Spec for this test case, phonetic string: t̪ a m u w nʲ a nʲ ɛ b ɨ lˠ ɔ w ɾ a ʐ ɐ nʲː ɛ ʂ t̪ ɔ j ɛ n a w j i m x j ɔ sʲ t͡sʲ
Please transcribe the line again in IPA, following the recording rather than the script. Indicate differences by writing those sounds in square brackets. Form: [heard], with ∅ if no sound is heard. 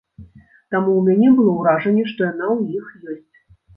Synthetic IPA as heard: t̪ a m u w [mʲ] a nʲ ɛ b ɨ lˠ ɔ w ɾ a ʐ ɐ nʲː ɛ ʂ t̪ ɔ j [a] n a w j i [∅] x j ɔ sʲ t͡sʲ